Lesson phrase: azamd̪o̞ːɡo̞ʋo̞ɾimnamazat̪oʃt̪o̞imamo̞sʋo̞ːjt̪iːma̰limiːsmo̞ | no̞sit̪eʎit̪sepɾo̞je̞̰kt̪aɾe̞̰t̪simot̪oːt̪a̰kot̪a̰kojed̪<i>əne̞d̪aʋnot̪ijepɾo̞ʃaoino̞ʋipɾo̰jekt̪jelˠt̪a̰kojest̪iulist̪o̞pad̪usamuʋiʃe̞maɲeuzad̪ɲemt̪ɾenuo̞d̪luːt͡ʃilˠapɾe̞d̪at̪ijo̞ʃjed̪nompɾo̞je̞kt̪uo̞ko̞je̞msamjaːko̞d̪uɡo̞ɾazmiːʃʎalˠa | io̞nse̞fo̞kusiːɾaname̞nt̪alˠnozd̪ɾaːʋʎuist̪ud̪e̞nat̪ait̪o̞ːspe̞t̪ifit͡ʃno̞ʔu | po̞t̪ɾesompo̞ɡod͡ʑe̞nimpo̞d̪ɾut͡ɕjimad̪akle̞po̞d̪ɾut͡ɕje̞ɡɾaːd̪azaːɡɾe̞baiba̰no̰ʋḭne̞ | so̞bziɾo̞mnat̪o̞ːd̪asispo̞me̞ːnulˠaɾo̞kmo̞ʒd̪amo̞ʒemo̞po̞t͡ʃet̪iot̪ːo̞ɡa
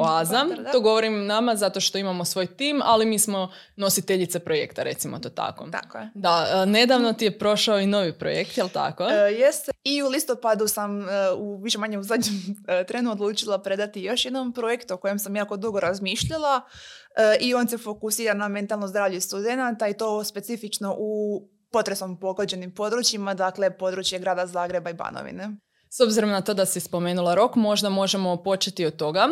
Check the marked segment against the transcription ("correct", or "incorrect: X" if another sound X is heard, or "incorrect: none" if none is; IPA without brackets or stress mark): incorrect: a